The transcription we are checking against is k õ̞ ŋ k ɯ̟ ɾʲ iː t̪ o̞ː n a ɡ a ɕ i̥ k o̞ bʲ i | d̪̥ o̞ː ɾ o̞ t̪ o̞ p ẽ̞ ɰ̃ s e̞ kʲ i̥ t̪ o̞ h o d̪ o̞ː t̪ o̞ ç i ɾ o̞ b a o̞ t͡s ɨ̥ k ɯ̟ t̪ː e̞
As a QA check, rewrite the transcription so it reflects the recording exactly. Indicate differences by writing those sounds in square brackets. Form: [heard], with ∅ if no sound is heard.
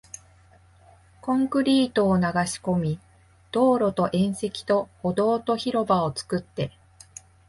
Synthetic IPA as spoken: k õ̞ ŋ k ɯ̟ ɾʲ iː t̪ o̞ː n a ɡ a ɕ i̥ k o̞ [mʲ] i | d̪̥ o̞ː ɾ o̞ t̪ o̞ [ʔ] ẽ̞ ɰ̃ s e̞ kʲ i̥ t̪ o̞ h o d̪ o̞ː t̪ o̞ ç i ɾ o̞ b a o̞ t͡s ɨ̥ k ɯ̟ t̪ː e̞